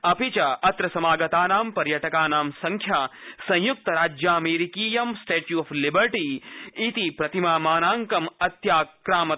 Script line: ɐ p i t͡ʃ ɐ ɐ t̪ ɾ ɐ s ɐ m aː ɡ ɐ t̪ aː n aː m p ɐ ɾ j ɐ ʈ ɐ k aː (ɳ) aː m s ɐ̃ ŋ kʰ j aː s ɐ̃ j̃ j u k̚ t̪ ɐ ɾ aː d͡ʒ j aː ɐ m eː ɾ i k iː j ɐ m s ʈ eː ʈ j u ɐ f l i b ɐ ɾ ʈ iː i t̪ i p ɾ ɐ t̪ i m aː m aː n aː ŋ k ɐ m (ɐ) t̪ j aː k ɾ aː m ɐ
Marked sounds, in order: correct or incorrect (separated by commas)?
incorrect, correct